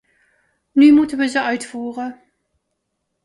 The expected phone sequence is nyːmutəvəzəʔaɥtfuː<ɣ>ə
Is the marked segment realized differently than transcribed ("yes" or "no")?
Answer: yes